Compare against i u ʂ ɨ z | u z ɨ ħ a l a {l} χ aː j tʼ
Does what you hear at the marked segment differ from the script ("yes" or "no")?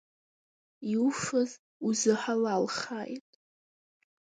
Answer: no